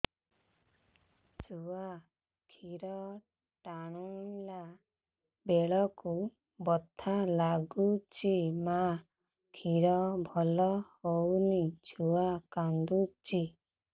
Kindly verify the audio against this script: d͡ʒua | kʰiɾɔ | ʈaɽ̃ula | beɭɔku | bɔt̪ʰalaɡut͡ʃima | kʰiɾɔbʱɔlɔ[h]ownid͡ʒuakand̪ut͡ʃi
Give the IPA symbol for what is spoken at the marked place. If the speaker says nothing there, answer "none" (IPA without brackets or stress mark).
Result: h